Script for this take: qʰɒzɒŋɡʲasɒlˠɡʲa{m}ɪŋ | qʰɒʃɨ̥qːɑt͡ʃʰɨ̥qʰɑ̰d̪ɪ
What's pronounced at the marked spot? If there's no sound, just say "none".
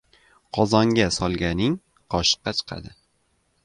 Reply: n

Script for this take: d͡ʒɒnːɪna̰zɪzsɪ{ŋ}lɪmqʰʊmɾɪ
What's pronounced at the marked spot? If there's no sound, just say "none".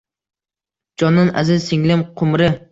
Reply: ŋ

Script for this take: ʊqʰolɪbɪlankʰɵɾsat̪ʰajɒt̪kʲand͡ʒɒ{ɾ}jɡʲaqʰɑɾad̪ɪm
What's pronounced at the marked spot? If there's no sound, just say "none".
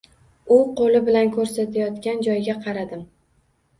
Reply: none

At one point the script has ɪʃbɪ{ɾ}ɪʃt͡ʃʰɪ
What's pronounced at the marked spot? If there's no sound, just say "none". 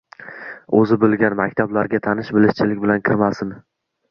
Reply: l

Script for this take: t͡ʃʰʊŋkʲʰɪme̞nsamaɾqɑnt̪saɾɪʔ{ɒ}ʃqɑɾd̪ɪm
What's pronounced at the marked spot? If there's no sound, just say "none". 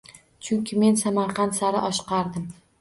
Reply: ɒ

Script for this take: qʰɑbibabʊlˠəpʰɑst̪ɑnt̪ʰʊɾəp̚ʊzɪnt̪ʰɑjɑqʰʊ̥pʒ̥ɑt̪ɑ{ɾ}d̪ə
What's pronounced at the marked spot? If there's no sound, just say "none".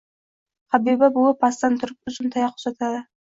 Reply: none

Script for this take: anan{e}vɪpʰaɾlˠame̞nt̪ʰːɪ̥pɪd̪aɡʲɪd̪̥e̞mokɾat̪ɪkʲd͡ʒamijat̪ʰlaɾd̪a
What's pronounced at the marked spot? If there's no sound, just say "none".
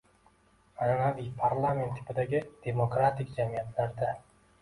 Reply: a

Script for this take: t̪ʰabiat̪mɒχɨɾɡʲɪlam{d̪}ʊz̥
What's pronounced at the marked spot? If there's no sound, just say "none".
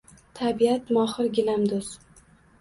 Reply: d̪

